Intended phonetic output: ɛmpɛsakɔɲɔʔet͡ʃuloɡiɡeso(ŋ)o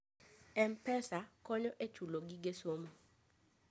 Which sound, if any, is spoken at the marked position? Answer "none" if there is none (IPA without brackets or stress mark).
m